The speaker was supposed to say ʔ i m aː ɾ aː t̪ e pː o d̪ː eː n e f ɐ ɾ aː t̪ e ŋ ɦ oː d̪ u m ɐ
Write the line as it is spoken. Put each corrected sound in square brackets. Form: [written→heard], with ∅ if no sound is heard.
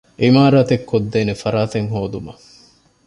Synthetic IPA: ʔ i m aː ɾ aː t̪ e [pː→kː] o d̪ː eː n e f ɐ ɾ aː t̪ e ŋ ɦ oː d̪ u m ɐ